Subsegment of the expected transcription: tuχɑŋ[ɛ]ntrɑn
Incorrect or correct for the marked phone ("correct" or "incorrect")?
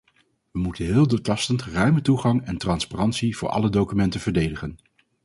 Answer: correct